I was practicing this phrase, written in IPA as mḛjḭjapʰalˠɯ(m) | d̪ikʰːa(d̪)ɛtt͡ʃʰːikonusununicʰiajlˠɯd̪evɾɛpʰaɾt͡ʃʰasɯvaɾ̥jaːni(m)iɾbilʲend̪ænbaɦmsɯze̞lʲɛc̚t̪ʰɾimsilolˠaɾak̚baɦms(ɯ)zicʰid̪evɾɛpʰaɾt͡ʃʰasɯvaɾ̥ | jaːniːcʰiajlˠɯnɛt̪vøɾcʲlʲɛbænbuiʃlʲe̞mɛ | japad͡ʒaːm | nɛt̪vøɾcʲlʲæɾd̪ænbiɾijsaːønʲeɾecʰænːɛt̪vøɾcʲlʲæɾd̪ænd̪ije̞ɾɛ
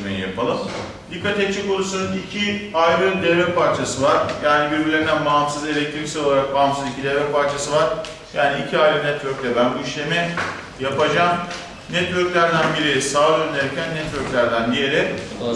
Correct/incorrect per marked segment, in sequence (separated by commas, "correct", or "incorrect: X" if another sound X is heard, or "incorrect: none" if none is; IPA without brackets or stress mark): correct, incorrect: t̪, incorrect: b, correct